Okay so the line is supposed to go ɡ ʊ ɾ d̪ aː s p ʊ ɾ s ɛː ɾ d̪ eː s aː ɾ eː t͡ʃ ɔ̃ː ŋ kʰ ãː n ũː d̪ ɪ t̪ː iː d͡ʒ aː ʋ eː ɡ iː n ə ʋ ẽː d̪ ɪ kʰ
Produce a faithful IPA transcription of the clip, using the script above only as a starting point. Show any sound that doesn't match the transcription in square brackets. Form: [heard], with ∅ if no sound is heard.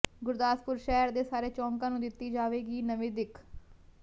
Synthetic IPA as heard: ɡ ʊ ɾ d̪ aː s p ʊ ɾ [ʃ] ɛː ɾ d̪ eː s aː ɾ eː t͡ʃ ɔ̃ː ŋ [k] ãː n ũː d̪ ɪ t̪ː iː d͡ʒ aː ʋ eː ɡ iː n ə ʋ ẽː d̪ ɪ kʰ